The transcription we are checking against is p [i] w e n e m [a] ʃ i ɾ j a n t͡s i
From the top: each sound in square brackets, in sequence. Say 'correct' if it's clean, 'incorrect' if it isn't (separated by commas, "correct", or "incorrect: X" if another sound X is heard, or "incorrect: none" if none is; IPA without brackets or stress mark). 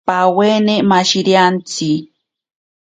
incorrect: a, correct